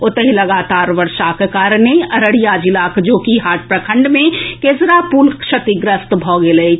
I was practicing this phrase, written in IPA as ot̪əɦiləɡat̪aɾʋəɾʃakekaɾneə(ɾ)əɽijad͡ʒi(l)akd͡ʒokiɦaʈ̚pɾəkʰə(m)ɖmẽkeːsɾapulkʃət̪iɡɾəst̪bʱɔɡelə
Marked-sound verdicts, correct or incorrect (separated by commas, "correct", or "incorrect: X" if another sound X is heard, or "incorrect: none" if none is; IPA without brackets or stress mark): correct, correct, incorrect: ɳ